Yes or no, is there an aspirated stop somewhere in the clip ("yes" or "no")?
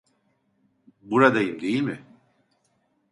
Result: no